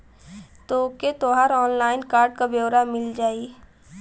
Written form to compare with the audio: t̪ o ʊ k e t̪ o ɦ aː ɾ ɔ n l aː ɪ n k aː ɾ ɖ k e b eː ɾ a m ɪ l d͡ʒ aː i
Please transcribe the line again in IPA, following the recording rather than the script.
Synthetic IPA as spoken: t̪ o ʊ k e t̪ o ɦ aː ɾ ɔː n l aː ɪ n k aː ɾ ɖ k a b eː ɾ a m ɪ l d͡ʒ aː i